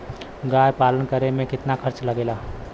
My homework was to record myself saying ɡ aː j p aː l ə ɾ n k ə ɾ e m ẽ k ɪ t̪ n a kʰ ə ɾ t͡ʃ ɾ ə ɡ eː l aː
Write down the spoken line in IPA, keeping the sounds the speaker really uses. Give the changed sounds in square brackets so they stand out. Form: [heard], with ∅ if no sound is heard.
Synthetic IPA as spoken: ɡ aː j p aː l ə [∅] n k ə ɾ e m ẽ k ɪ t̪ n a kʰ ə ɾ t͡ʃ [l] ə ɡ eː l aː